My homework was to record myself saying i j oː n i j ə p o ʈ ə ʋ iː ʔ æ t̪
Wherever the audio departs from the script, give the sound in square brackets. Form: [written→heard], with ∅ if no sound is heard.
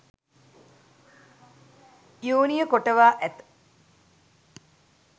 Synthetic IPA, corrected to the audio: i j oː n i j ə [p→k] o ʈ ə ʋ [iː→aː] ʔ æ t̪